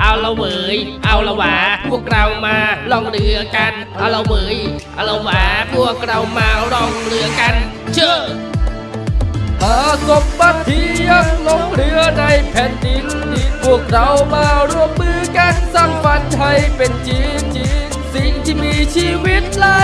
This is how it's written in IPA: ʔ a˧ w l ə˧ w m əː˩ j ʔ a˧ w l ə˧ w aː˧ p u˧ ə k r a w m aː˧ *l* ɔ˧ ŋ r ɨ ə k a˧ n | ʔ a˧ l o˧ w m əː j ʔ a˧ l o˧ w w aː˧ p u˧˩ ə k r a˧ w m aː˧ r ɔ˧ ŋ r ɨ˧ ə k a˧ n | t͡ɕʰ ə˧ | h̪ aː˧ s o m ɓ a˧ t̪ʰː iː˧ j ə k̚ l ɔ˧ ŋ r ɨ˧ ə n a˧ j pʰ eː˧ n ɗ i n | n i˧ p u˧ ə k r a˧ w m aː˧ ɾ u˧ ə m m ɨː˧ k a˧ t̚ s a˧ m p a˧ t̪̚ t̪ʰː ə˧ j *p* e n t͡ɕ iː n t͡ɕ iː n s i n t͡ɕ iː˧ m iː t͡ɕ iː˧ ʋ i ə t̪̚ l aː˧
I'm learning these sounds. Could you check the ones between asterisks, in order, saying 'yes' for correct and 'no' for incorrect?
yes, yes

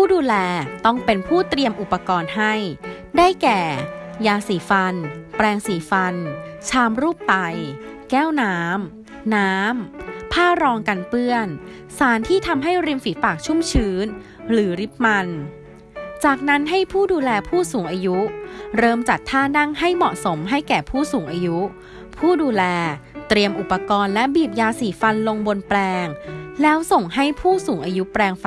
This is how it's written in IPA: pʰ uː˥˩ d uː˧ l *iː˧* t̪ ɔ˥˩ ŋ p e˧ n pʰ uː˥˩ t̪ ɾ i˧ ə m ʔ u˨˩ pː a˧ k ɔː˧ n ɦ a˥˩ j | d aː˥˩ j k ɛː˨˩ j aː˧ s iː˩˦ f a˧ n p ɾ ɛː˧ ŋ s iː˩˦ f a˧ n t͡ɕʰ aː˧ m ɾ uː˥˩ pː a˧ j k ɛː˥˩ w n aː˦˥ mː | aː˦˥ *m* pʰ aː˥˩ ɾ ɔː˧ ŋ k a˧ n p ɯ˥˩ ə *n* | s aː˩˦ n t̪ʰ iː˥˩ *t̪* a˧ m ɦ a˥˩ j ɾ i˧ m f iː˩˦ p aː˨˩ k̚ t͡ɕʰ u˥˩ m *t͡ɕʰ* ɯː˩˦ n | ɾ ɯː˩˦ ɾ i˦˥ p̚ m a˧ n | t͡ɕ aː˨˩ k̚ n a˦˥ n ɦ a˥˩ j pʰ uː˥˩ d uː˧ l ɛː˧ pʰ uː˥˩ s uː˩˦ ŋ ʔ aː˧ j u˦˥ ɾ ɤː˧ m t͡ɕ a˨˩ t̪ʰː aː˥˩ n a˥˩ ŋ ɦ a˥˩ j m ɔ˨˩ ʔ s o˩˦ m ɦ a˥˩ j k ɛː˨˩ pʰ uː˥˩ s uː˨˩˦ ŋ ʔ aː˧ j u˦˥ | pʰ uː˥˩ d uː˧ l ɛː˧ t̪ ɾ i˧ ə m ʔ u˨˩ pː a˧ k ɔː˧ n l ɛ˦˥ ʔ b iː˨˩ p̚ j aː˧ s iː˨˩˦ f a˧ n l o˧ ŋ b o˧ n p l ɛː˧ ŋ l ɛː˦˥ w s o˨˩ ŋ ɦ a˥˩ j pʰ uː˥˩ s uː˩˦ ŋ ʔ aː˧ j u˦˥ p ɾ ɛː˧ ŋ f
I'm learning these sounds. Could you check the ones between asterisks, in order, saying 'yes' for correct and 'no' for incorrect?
no, yes, yes, no, yes

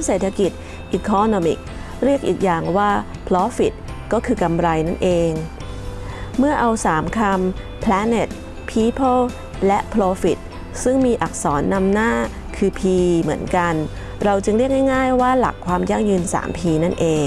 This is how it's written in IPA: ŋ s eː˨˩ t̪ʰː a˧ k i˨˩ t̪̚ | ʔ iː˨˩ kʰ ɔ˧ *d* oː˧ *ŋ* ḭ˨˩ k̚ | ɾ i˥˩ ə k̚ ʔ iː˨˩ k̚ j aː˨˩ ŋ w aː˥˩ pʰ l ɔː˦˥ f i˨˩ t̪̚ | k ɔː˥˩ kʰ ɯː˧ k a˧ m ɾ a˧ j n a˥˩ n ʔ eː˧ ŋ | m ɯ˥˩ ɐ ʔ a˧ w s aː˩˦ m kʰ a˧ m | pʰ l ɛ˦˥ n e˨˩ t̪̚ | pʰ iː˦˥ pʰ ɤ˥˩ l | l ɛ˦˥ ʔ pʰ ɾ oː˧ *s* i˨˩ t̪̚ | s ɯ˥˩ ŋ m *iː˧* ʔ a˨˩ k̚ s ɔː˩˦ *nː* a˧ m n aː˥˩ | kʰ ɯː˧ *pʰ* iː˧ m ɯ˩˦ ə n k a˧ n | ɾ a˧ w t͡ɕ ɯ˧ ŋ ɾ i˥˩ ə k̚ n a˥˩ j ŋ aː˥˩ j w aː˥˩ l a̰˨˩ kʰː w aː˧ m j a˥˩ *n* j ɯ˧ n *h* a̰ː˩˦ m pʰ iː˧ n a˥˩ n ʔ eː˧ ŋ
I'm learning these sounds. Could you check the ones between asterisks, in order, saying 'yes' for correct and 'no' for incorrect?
no, no, no, yes, yes, yes, no, no

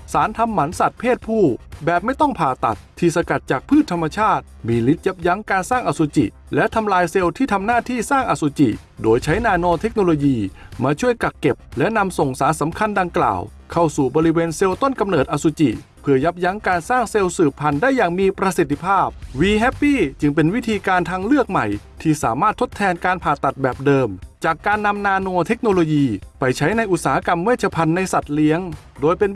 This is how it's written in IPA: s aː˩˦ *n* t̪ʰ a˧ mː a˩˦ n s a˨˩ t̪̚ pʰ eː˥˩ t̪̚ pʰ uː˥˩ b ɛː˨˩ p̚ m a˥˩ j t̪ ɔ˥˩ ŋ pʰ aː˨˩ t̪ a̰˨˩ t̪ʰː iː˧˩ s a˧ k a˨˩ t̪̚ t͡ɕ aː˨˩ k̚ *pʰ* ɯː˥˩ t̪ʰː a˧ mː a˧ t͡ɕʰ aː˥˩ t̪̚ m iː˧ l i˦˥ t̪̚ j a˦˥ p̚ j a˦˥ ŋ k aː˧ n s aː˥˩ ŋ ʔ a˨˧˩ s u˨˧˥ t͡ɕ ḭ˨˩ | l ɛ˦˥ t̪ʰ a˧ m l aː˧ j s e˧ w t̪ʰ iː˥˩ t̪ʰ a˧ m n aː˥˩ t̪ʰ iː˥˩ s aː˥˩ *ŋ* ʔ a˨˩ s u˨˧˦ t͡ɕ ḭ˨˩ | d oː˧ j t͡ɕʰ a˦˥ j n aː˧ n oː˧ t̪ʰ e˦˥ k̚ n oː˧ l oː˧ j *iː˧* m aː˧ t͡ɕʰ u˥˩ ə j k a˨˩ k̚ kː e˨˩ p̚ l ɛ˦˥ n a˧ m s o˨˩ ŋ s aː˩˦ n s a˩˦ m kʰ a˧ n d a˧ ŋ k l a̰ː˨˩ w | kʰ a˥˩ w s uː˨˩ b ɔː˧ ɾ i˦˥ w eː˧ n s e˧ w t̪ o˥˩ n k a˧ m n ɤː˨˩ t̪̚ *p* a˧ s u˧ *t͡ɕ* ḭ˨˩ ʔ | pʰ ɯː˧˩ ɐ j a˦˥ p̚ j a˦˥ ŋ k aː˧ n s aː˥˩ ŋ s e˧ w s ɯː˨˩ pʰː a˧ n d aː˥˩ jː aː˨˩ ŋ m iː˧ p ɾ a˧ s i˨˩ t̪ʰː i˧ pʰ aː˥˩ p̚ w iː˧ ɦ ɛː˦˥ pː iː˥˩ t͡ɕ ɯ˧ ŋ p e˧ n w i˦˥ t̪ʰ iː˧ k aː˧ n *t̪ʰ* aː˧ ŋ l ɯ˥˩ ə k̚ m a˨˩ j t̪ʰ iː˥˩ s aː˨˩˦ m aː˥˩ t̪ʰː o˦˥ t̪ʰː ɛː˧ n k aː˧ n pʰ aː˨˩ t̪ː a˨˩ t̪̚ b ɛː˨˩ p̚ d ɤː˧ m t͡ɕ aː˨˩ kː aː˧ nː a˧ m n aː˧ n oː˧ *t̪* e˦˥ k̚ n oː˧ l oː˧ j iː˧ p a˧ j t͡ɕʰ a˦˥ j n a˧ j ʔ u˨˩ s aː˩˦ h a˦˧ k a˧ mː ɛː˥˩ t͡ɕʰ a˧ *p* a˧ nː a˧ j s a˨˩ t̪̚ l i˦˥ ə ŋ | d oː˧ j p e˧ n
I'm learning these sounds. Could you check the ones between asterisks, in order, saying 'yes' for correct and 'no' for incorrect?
yes, yes, yes, yes, no, yes, yes, no, no

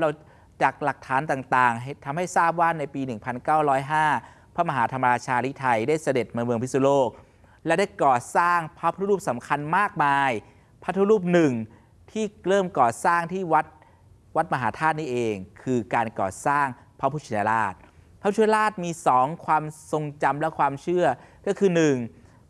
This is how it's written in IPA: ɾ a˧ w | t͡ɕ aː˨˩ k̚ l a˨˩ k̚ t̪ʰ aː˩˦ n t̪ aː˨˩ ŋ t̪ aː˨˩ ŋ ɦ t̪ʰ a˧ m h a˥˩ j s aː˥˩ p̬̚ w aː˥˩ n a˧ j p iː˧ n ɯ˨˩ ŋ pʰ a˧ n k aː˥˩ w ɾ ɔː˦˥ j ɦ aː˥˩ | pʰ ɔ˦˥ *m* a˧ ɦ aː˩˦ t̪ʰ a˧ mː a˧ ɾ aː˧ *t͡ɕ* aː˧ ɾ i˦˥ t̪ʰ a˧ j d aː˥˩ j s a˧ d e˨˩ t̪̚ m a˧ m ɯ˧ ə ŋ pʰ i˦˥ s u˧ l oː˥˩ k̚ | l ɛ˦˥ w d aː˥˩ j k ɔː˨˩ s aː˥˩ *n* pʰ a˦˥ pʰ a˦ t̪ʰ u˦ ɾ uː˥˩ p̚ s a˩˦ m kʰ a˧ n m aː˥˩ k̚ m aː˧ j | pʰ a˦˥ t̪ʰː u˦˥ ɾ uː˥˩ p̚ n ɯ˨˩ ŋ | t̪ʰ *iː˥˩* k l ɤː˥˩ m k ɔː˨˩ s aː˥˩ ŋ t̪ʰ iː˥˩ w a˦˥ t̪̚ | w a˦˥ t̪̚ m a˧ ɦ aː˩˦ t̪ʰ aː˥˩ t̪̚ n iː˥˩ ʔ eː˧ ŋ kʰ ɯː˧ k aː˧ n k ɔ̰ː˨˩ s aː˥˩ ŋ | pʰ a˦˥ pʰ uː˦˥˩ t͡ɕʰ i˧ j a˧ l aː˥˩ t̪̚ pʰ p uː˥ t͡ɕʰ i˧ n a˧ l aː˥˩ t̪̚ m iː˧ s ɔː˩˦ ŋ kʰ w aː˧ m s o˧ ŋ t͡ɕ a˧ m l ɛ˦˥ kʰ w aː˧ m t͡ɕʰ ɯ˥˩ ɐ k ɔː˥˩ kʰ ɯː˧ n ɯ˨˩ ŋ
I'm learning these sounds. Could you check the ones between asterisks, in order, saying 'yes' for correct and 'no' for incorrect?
yes, no, no, yes

